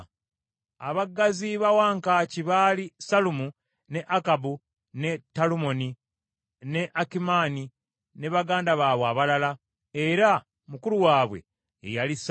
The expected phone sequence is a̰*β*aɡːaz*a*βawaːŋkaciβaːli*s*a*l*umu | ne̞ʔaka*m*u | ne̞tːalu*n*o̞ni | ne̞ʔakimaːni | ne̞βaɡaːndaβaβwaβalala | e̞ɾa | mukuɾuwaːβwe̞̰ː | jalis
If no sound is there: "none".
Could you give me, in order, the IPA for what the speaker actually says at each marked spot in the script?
β, i, s, l, b, m

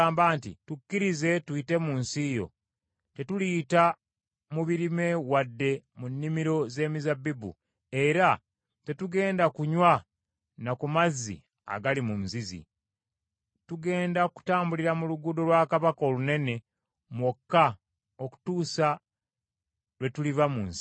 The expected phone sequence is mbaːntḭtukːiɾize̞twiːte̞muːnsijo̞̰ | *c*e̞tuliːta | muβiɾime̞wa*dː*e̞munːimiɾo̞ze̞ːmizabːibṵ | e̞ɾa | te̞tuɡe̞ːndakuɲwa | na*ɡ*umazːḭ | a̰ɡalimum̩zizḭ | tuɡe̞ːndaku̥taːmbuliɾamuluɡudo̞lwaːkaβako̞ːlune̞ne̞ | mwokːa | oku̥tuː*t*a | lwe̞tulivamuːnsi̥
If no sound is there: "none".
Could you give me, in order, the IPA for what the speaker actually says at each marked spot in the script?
t, dː, k, s

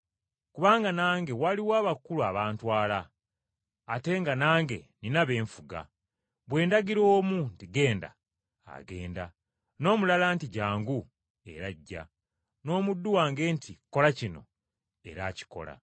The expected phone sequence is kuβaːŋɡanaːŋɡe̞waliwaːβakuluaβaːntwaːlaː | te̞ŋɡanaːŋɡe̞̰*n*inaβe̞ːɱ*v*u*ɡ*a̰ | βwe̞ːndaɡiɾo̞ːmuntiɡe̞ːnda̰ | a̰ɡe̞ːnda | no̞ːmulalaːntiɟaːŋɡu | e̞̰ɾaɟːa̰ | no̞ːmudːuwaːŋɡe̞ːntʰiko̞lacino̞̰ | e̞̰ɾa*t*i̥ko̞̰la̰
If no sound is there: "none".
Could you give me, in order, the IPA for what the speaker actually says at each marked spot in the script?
n, f, ɡ, c

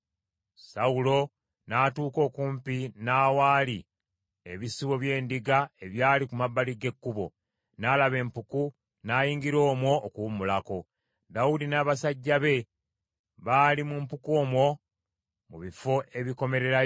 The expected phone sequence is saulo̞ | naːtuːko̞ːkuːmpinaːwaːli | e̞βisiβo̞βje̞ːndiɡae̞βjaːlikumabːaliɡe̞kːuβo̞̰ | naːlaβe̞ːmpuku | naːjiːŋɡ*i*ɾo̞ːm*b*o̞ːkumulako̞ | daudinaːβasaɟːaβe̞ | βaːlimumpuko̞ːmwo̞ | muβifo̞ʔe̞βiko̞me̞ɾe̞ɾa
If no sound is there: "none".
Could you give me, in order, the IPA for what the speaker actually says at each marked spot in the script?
i, w

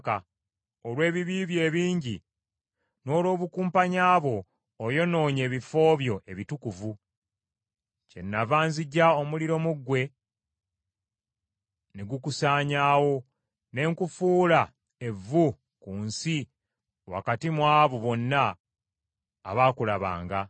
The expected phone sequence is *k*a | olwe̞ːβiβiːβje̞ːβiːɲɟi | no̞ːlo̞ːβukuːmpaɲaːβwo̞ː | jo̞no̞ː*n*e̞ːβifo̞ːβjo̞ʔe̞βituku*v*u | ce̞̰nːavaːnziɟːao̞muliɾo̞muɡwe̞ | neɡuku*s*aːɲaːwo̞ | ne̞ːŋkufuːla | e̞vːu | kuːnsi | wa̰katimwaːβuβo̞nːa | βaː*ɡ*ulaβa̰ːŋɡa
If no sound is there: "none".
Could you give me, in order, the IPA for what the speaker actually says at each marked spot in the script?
k, ɲ, v, s, k

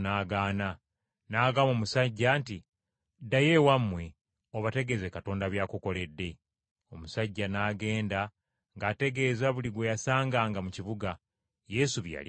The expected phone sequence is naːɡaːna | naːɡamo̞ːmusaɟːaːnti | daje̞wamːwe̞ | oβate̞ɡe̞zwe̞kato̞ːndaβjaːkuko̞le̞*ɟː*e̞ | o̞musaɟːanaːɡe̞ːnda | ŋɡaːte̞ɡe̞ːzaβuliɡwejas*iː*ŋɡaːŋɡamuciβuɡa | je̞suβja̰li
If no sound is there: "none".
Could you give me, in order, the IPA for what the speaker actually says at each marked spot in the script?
dː, aː

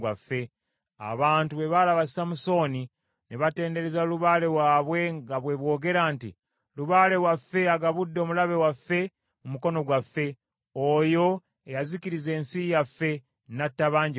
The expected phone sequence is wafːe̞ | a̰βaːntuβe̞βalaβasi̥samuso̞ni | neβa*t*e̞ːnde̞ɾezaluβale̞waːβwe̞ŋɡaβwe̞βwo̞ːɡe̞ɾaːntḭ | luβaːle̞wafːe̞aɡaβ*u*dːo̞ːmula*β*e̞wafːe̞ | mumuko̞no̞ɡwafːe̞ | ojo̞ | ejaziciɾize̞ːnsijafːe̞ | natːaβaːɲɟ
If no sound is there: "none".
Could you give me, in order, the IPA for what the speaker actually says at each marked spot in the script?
t, u, β

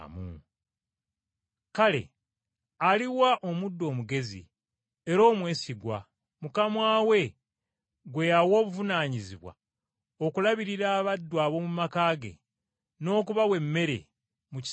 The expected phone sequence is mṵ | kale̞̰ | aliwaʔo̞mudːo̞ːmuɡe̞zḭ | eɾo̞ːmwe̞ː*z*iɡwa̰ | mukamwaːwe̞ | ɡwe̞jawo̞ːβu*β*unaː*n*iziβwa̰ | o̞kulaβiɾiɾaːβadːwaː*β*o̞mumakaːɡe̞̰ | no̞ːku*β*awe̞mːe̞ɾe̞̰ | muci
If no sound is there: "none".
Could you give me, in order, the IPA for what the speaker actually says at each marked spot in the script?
s, v, ɲ, β, β

